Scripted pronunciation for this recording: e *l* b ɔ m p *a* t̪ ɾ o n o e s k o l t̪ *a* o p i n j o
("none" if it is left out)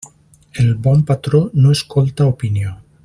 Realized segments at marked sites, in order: l, a, a

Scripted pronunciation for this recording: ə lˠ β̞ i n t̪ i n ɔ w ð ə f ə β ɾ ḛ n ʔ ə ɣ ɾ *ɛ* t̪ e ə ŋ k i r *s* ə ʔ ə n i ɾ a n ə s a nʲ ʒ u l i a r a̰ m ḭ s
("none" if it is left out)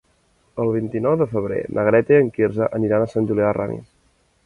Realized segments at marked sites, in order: ɛ, z

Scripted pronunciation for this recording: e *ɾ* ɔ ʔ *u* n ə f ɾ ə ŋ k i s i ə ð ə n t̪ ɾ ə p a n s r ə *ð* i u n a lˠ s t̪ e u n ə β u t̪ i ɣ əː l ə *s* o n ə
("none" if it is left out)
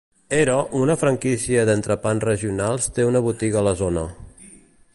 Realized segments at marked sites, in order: ɾ, u, ʒ, z

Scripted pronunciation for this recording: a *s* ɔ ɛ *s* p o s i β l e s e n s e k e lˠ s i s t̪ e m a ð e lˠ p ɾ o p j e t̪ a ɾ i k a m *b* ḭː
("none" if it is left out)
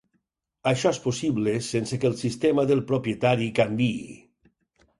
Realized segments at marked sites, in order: ʃ, s, b

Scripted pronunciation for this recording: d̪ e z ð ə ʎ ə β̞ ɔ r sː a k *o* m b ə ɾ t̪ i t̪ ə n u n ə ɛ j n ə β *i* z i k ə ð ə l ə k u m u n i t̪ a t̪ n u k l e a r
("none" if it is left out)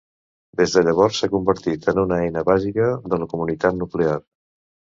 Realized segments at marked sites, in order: u, a

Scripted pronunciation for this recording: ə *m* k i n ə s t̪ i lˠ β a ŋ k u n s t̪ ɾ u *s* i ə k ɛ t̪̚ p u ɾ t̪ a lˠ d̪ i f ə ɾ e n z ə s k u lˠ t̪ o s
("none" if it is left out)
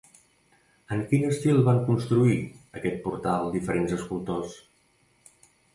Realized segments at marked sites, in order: ŋ, none

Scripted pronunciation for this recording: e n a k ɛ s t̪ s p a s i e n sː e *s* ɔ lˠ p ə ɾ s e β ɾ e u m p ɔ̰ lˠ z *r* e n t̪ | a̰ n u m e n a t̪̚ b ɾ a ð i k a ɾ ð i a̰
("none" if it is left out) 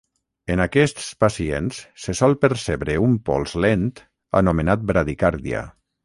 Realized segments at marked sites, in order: s, l

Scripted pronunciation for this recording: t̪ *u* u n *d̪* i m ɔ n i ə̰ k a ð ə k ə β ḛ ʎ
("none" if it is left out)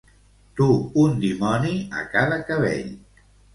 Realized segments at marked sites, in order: u, d̪

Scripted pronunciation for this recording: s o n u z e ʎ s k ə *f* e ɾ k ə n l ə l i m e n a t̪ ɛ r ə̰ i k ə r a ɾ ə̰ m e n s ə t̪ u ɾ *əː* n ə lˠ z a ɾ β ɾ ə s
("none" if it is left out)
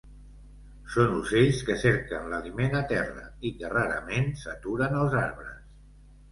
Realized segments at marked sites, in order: s, ə

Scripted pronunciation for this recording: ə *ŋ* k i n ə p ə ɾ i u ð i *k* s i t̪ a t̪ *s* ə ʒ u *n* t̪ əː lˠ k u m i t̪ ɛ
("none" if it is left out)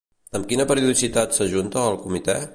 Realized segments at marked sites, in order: m, none, s, n

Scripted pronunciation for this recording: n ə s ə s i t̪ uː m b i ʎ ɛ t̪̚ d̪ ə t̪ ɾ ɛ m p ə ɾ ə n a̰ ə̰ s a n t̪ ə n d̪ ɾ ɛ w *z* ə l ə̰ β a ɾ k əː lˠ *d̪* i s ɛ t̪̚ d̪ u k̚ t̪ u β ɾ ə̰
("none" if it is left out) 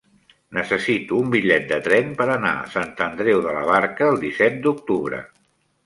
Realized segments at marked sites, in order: ð, d̪

